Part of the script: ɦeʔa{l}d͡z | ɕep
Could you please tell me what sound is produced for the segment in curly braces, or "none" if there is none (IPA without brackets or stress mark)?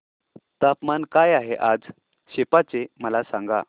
none